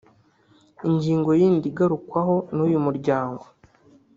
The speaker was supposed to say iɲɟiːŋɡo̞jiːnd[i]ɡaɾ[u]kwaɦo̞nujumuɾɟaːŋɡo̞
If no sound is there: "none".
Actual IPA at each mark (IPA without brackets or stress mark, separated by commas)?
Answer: i, u